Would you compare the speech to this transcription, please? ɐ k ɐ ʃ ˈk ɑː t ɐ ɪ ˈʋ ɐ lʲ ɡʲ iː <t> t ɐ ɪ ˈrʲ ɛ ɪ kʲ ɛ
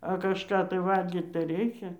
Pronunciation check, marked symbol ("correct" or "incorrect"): correct